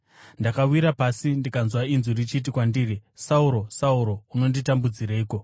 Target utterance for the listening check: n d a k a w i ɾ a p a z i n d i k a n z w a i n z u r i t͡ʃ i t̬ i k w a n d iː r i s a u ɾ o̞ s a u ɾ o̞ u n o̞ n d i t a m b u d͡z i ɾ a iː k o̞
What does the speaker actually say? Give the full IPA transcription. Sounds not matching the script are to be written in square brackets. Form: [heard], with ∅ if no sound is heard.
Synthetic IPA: n d a k a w i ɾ a p a [s] i n d i k a n z w a i n z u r i t͡ʃ i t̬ i k w a n d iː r i s a u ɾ o̞ s a u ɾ o̞ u n o̞ n d i t a m b u d͡z i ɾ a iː k o̞